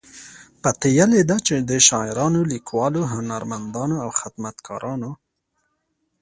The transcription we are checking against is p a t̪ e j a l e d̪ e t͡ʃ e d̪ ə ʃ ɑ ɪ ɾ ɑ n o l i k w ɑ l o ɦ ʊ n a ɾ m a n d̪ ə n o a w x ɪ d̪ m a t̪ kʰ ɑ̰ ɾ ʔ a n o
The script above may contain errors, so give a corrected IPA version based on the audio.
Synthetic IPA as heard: p a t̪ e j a l e d̪ a t͡ʃ e d̪ ə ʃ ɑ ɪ ɾ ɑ n o l i k w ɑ l o ɦ ʊ n a ɾ m a n d̪ ɑ n o a w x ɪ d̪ m a t̪ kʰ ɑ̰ ɾ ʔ ɑ n o